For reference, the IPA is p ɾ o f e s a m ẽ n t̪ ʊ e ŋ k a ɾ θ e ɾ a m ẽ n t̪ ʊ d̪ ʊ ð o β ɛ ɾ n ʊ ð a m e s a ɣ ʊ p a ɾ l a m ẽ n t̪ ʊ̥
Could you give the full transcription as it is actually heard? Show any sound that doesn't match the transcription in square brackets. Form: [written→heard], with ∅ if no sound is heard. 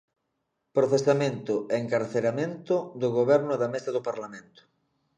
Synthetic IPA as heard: p ɾ o [f→θ] e s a m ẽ n t̪ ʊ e ŋ k a ɾ θ e ɾ a m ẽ n t̪ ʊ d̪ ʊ [ð→ɣ] o β ɛ ɾ n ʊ ð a m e s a [ɣ→ð] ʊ p a ɾ l a m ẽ n t̪ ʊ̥